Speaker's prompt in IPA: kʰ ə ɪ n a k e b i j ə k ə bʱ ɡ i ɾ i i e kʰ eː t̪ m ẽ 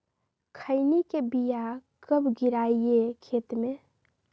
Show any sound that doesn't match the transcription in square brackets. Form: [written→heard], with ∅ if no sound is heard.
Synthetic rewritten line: kʰ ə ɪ n [a→i] k e b i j [ə→a] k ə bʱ ɡ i ɾ [i→a] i e kʰ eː t̪ m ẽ